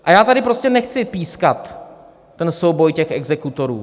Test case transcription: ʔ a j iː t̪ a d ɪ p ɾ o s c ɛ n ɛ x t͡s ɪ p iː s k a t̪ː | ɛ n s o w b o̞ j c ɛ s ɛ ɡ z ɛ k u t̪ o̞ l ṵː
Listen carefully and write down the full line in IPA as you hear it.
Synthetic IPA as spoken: ʔ a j aː t̪ a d ɪ p ɾ o s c ɛ n ɛ x t͡s ɪ p iː s k a t̪ː | ɛ n s o w b o̞ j c ɛ x ɛ ɡ z ɛ k u t̪ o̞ ɾ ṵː

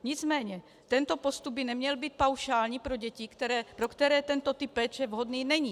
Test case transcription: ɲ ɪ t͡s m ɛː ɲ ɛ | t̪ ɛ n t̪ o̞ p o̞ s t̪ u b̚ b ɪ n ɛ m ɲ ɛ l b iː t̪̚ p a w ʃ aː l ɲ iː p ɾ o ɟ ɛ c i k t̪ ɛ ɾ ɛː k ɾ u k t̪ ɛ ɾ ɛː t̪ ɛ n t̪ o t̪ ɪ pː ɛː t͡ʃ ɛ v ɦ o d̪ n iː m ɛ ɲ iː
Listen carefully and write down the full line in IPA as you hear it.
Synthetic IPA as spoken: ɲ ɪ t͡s m ɛː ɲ ɛ | t̪ ɛ n t̪ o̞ p o̞ s t̪ u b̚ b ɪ n ɛ m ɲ ɛ l b iː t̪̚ p a w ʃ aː l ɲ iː p ɾ o ɟ ɛ c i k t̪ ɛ ɾ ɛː p ɾ o k t̪ ɛ ɾ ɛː t̪ ɛ n t̪ o t̪ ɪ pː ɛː t͡ʃ ɛ v ɦ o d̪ n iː n ɛ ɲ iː

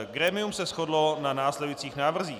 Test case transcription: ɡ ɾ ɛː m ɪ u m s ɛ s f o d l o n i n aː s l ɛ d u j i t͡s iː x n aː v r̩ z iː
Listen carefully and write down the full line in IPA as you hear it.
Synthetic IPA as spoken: ɡ ɾ ɛː m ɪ u m s ɛ s x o d l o n a n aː s l ɛ d u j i t͡s iː x n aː v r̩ z iː

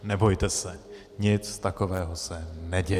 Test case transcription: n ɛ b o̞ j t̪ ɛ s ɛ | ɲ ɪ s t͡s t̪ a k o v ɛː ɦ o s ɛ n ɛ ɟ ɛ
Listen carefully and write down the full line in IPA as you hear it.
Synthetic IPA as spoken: n ɛ b o̞ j t̪ ɛ s ɛ | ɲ ɪ t͡s t̪ a k o v ɛː ɦ o s ɛ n ɛ ɟ ɛ

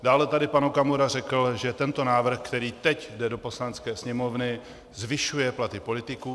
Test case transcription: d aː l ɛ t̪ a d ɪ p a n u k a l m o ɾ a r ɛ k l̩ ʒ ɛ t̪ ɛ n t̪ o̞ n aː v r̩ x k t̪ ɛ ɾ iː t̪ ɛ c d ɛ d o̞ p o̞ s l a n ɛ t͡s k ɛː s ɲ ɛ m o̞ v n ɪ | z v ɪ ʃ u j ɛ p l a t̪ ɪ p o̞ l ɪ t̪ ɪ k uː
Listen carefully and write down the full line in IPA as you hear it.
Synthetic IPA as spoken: d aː l ɛ t̪ a d ɪ p a n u k a m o ɾ a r ɛ k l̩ ʒ ɛ t̪ ɛ n t̪ o̞ n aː v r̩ x k t̪ ɛ ɾ iː t̪ ɛ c d ɛ d o̞ p o̞ s l a n ɛ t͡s k ɛː s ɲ ɛ m o̞ v n ɪ | z v ɪ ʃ u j ɛ p l a t̪ ɪ p o̞ l ɪ t̪ ɪ k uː

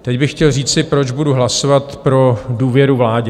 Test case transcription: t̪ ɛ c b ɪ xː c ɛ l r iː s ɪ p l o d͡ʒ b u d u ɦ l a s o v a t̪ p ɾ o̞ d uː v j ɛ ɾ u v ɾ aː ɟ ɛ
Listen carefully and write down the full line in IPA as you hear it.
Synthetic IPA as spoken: t̪ ɛ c b ɪ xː c ɛ l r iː t͡s ɪ p ɾ o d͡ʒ b u d u ɦ l a s o v a t̪ p ɾ o̞ d uː v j ɛ ɾ u v l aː ɟ ɛ

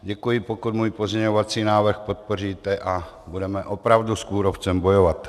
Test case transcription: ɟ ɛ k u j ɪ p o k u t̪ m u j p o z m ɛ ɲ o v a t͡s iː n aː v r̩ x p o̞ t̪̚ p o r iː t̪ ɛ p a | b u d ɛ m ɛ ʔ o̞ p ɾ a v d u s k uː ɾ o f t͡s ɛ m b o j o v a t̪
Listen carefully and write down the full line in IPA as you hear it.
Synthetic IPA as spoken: ɟ ɛ k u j ɪ p o k u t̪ m uː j p o z ɲ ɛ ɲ o v a t͡s iː n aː v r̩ x p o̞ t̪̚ p o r iː t̪ ɛ ʔ a | b u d ɛ m ɛ ʔ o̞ p ɾ a v d u s k uː ɾ o f t͡s ɛ m b o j o v a t̪

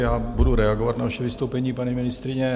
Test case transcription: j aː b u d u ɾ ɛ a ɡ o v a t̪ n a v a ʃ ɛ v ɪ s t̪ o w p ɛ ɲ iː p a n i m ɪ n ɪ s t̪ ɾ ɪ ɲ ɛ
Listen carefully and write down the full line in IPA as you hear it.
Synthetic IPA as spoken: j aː b u d u ɾ ɛ a ɡ o v a t̪ n a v a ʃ ɛ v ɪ s t̪ o w p ɛ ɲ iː p a ɲ i m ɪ n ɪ s t̪ ɾ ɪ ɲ ɛ

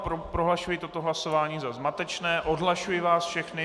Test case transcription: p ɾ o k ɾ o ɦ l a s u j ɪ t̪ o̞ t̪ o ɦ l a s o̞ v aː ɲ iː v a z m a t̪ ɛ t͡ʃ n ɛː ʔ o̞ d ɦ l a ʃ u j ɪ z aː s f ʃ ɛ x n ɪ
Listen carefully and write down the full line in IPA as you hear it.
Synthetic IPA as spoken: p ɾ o p ɾ o ɦ l a ʃ u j ɪ t̪ o̞ t̪ o ɦ l a s o̞ v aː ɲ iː z a z m a t̪ ɛ t͡ʃ n ɛː ʔ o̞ d ɦ l a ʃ u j ɪ v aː s f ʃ ɛ x n ɪ

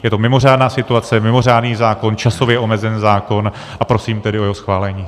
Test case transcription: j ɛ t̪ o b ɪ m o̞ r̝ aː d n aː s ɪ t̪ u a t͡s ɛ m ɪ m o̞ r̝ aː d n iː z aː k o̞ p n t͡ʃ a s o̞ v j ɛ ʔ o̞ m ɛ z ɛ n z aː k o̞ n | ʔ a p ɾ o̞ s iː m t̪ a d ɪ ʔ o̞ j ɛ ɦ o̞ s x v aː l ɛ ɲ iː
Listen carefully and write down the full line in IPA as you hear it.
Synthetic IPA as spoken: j ɛ t̪ o m ɪ m o̞ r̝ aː d n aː s ɪ t̪ u a t͡s ɛ m ɪ m o̞ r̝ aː d n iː z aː k o̞ n t͡ʃ a s o̞ v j ɛ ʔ o̞ m ɛ z ɛ n z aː k o̞ n | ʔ a p ɾ o̞ s iː m t̪ ɛ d ɪ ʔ o̞ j ɛ ɦ o̞ s x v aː l ɛ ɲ iː

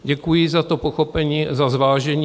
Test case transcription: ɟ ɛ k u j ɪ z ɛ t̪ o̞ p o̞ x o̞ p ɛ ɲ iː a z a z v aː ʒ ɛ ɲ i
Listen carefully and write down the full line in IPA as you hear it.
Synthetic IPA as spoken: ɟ ɛ k u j ɪ z a t̪ o̞ p o̞ x o̞ p ɛ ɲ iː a z a z v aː ʒ ɛ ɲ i

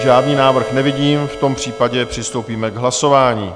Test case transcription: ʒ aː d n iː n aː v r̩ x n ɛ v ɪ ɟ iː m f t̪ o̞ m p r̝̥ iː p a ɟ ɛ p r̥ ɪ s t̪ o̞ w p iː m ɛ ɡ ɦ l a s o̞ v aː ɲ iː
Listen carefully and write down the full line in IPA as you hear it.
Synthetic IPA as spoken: ʒ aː d n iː n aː v r̩ x n ɛ v ɪ ɟ iː m f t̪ o̞ m p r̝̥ iː p a ɟ ɛ p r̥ ɪ s t̪ o̞ w p iː m ɛ ɡ ɦ l a s o̞ v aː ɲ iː

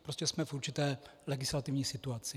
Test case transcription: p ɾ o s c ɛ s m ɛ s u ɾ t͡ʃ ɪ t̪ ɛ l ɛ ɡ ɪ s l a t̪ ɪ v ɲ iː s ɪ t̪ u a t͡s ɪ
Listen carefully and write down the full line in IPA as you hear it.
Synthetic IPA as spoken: p ɾ o s c ɛ s m ɛ f u ɾ t͡ʃ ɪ t̪ ɛː l ɛ ɡ ɪ s l a t̪ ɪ v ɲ iː s ɪ t̪ u a t͡s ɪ

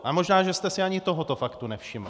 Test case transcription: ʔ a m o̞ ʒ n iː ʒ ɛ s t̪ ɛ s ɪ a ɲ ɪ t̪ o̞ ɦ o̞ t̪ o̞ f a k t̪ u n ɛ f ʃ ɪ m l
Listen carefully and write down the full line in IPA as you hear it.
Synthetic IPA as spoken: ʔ a m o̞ ʒ n aː ʒ ɛ s t̪ ɛ s ɪ a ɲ ɪ t̪ o̞ ɦ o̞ t̪ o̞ f a k t̪ u n ɛ f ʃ ɪ m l

